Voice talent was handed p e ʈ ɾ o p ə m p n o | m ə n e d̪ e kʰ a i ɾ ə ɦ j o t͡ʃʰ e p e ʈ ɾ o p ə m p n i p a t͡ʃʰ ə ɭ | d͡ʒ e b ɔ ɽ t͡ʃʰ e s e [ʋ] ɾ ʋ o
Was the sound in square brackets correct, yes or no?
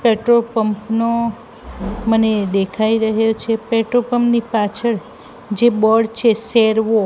no